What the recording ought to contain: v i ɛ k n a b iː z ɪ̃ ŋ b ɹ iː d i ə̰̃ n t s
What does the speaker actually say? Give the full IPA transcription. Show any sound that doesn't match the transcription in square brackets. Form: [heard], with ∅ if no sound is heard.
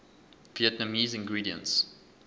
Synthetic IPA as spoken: v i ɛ [t] n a [m] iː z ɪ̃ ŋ [ɡ] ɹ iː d i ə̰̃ n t s

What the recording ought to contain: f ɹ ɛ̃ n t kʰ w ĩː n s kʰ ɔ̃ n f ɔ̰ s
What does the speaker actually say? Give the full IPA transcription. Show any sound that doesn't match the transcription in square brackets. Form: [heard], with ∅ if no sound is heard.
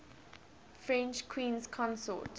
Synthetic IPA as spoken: f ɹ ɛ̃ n [t͡ʃ] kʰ w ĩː n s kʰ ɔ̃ n [s] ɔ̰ [t]

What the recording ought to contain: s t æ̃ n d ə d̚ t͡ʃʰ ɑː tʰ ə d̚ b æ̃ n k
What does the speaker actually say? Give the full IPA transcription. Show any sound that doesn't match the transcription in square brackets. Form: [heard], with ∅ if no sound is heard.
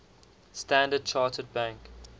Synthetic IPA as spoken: s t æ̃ n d ə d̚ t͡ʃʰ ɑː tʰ ə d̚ b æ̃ [ŋ] k

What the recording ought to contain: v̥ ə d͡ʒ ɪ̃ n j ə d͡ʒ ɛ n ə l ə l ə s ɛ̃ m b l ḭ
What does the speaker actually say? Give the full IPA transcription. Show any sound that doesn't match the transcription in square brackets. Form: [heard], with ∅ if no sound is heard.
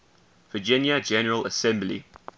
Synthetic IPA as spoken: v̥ ə d͡ʒ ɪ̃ n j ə d͡ʒ ɛ n ə [ɹ] ə l ə s ɛ̃ m b l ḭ

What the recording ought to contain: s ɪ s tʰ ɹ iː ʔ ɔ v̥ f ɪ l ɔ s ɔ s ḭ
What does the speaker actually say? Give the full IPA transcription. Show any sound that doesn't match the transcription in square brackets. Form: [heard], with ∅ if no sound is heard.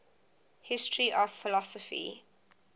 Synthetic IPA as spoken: [h] ɪ s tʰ ɹ [i] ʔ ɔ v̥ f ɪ l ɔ s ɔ [f] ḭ

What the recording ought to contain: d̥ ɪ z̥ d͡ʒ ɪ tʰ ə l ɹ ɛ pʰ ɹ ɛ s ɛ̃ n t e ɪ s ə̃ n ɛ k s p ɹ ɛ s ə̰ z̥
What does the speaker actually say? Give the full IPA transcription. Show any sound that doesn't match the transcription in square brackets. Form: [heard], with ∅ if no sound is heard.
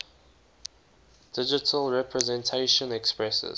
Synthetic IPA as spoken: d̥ ɪ [∅] d͡ʒ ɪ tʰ ə l ɹ ɛ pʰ ɹ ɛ [z] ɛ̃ n [tʰ] e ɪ [ʃ] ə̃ n ɛ k s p ɹ ɛ s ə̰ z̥

